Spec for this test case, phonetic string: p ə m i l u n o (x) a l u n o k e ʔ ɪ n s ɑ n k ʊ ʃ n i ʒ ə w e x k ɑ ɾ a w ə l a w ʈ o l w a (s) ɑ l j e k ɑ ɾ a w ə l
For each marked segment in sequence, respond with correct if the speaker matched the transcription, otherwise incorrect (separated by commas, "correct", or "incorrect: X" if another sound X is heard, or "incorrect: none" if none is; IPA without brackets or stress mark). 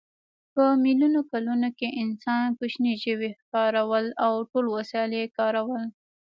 incorrect: k, correct